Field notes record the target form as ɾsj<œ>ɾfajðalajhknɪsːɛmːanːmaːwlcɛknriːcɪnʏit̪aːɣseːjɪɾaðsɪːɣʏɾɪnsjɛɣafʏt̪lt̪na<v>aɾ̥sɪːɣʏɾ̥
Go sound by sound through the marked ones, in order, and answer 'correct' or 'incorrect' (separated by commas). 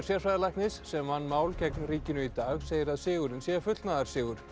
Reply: incorrect, incorrect